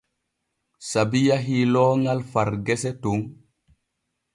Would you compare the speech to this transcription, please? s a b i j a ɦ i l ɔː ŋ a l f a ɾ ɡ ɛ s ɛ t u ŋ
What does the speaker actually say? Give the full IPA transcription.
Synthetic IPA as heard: s a b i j a ɦ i l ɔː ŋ a l f a ɾ ɡ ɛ s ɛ t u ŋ